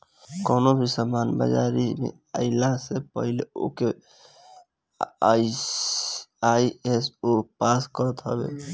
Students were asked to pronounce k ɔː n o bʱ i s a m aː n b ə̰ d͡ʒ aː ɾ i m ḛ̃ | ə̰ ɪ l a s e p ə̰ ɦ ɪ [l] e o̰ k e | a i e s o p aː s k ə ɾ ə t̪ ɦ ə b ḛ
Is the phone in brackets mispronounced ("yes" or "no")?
no